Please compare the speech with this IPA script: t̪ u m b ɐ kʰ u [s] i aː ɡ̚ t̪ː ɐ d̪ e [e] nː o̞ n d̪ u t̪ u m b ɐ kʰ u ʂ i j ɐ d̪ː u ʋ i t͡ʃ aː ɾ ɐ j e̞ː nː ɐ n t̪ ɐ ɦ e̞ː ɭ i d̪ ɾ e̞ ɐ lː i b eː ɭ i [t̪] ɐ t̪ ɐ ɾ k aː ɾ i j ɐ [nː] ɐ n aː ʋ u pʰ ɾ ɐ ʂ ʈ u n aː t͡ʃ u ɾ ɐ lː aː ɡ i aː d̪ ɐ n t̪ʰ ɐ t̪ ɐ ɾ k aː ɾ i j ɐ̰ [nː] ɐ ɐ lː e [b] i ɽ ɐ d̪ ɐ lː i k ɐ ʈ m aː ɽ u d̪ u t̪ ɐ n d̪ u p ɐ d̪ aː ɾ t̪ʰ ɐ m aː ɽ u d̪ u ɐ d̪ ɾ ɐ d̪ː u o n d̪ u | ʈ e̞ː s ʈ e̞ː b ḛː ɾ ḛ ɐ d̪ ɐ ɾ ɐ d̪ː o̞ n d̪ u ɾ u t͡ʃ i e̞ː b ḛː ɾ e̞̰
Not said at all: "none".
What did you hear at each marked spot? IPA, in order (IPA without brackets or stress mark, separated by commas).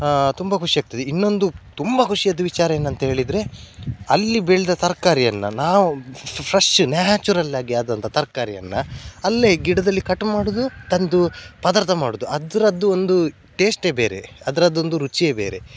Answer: ʂ, i, d̪, nː, nː, ɡ